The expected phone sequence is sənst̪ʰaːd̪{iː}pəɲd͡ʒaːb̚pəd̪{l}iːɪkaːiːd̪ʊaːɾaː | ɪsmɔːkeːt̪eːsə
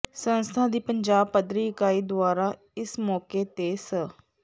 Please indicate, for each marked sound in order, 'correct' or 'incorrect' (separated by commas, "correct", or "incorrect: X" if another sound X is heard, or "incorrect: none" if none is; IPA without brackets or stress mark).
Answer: correct, incorrect: ɾ